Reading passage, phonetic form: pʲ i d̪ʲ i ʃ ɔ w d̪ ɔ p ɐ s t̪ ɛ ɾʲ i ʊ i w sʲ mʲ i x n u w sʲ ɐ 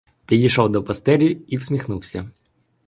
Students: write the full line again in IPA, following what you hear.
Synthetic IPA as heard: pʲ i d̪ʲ i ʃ ɔ w d̪ ɔ p ɐ s t̪ ɛ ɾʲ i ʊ i w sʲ mʲ i x n u w sʲ ɐ